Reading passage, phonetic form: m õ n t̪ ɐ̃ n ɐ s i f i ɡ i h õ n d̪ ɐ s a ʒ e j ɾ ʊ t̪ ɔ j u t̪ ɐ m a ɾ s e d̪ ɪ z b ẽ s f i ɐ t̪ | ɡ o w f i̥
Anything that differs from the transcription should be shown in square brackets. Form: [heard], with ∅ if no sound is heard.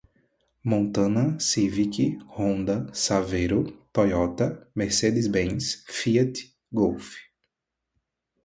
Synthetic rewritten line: m õ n t̪ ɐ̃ n ɐ s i [v] i [k] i h õ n d̪ ɐ s a [v] e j ɾ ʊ t̪ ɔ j [ɔ] t̪ ɐ m [e] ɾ s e d̪ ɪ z b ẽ s f i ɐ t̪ | ɡ o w f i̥